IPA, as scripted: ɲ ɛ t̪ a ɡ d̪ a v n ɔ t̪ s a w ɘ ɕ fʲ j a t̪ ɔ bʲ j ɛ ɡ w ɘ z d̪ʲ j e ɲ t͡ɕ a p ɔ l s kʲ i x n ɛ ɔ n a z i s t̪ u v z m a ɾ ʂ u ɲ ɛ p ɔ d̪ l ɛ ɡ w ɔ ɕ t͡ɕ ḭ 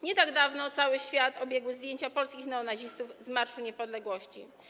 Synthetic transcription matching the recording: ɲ ɛ t̪ a ɡ d̪ a v n ɔ t̪ s a w ɘ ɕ fʲ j a t̪ ɔ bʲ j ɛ ɡ w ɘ z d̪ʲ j e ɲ t͡ɕ a p ɔ l s kʲ i x n ɛ ɔ n a ʑ i s t̪ u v z m a ɾ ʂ u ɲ ɛ p ɔ d̪ l ɛ ɡ w ɔ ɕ t͡ɕ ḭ

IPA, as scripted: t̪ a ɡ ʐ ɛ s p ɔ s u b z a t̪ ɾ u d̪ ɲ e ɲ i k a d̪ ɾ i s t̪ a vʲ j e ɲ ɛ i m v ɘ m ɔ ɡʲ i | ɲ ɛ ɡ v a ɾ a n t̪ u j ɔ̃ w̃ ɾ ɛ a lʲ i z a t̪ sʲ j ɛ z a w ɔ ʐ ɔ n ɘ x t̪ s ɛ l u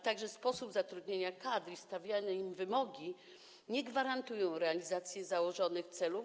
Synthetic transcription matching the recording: t̪ a ɡ ʐ ɛ s p ɔ s u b z a t̪ ɾ u d̪ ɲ e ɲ a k a d̪ ɾ i s t̪ a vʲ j a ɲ ɛ i m v ɘ m ɔ ɡʲ i | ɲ ɛ ɡ v a ɾ a n t̪ u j ɔ̃ w̃ ɾ ɛ a lʲ i z a t̪ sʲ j ɛ z a w ɔ ʐ ɔ n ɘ x t̪ s ɛ l u

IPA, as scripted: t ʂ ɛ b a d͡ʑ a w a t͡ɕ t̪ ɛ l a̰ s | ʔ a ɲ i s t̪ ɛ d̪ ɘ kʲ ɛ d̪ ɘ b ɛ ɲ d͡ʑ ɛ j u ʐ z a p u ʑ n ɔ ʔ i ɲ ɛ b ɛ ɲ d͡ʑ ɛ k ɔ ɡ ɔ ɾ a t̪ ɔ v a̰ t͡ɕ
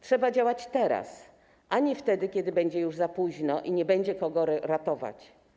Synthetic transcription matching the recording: t ʂ ɛ b a d͡ʑ a w a t͡ɕ t̪ ɛ ɾ a̰ s | ʔ a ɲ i f t̪ ɛ d̪ ɘ kʲ ɛ d̪ ɘ b ɛ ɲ d͡ʑ ɛ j u ʐ z a p u ʑ n ɔ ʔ i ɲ ɛ b ɛ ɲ d͡ʑ ɛ k ɔ ɡ ɔ ɾ a t̪ ɔ v a̰ t͡ɕ

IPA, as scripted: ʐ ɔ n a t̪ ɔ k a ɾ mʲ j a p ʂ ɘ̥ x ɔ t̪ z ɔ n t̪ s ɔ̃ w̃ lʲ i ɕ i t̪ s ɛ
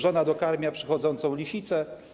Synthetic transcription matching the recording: ʐ ɔ n a d̪ ɔ k a ɾ mʲ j a p ʂ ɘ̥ x ɔ d̪ z ɔ n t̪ s ɔ̃ w̃ lʲ i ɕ i t̪ s ɛ

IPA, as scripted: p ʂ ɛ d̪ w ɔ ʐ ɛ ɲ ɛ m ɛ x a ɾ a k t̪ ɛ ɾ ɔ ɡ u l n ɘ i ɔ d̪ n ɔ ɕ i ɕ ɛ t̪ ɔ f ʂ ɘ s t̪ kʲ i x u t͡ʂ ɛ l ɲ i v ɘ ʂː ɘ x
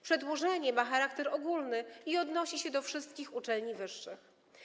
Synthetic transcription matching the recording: p ʂ ɛ d̪ w ɔ ʐ ɛ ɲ ɛ m a x a ɾ a k t̪ ɛ ɾ ɔ ɡ u l n ɘ i ɔ d̪ n ɔ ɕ i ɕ ɛ d̪ ɔ f ʂ ɘ s t̪ kʲ i x u t͡ʂ ɛ l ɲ i v ɘ ʂː ɘ x

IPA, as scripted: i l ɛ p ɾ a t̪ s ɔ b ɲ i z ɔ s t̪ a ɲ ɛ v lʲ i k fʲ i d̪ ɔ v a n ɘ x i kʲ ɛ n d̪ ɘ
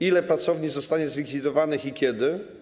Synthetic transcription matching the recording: i l ɛ p ɾ a t̪ s ɔ v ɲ i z ɔ s t̪ a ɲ ɛ z lʲ i k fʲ i d̪ ɔ v a n ɘ x i kʲ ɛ d̪ ɘ

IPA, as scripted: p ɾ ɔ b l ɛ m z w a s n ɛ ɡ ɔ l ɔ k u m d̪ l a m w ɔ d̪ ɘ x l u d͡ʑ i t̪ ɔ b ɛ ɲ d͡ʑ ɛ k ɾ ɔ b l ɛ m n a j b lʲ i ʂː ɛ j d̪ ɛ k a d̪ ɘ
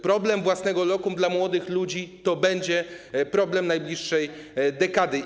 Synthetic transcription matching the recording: p ɾ ɔ b l ɛ m v w a s n ɛ ɡ ɔ l ɔ k u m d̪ l a m w ɔ d̪ ɘ x l u d͡ʑ i t̪ ɔ b ɛ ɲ d͡ʑ ɛ p ɾ ɔ b l ɛ m n a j b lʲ i ʂː ɛ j d̪ ɛ k a d̪ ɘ

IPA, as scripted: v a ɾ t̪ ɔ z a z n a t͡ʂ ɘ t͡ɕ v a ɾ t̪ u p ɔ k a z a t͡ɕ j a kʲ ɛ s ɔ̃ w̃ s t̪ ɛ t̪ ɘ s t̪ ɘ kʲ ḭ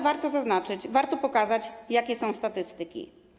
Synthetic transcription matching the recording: v a ɾ t̪ ɔ z a z n a t͡ʂ ɘ t͡ɕ v a ɾ t̪ ɔ p ɔ k a z a t͡ɕ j a kʲ ɛ s ɔ̃ w̃ s t̪ a t̪ ɘ s t̪ ɘ kʲ ḭ

